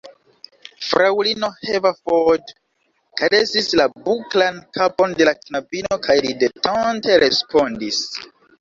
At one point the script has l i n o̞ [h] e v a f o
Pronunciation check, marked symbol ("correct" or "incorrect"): correct